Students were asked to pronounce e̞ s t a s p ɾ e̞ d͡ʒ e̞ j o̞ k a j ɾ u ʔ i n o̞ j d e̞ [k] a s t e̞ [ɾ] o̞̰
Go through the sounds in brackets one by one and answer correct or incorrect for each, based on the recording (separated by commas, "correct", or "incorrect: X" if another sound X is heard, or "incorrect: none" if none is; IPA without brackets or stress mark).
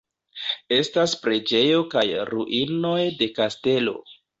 correct, incorrect: l